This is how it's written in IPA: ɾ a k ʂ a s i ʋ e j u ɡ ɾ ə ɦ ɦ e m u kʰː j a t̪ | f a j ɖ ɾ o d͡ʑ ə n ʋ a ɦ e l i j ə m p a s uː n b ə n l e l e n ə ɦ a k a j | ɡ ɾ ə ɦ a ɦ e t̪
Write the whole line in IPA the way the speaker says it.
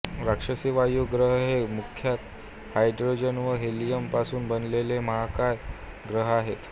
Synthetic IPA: ɾ a k ʂ ə s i ʋ a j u ɡ ɾ ə ɦ ɦ e m u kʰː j a t̪ | h a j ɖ ɾ o d͡ʑ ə n ʋ ə ɦ e l i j ə m p a s uː n b ə n l e l e m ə ɦ a k a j | ɡ ɾ ə ɦ a ɦ e t̪